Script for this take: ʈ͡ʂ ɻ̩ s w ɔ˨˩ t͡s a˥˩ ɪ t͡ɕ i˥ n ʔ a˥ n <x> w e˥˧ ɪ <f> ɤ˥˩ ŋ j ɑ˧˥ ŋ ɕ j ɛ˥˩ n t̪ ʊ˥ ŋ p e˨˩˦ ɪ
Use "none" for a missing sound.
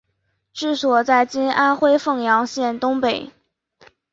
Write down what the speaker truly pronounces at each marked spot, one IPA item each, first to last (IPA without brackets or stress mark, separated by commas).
x, f